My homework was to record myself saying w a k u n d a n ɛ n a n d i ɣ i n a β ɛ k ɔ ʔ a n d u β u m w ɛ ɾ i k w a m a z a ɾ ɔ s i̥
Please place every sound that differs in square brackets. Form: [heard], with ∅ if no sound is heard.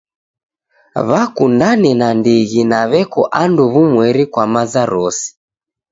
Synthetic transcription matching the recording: [β] a k u n d a n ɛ n a n d i ɣ i n a β ɛ k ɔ ʔ a n d u β u m w ɛ ɾ i k w a m a z a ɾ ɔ s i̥